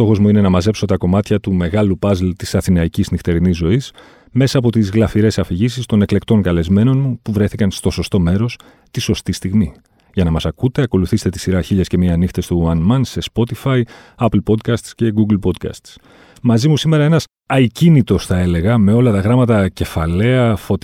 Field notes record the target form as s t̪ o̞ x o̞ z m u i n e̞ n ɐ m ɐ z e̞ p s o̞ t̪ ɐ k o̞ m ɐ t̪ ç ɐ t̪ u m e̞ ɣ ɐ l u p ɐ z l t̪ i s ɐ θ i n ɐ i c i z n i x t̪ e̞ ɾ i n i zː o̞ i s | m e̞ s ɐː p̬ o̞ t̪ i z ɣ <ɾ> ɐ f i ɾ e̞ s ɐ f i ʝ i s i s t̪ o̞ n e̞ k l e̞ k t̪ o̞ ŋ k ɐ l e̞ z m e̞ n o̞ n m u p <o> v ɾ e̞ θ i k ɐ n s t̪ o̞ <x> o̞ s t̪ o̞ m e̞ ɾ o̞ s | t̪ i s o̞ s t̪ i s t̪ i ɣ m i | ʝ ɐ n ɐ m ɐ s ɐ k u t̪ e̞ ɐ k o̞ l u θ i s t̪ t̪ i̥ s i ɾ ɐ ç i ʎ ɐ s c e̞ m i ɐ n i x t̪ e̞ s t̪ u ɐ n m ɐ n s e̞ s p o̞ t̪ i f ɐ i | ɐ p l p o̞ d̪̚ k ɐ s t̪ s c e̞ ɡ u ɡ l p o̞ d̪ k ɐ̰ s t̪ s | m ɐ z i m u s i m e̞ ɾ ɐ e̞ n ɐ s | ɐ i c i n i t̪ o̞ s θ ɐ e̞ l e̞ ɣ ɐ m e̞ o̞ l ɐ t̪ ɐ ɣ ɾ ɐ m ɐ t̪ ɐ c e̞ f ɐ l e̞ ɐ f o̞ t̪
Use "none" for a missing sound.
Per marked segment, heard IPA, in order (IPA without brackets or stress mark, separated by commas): l, u, s